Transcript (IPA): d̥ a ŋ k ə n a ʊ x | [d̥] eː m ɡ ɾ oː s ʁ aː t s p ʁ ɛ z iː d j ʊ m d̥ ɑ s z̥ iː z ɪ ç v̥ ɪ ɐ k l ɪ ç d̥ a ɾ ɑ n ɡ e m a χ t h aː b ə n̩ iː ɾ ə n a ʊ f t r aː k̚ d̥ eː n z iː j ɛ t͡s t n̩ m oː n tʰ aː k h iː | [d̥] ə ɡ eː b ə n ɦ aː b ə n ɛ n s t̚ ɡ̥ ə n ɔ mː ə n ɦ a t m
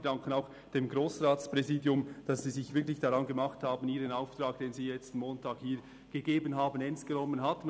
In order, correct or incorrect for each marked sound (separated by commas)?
correct, incorrect